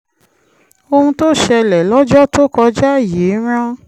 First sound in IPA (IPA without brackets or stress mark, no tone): o